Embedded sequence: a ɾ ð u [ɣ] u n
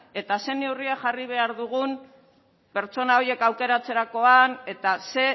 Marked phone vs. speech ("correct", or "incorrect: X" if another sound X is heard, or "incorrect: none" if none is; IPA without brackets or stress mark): correct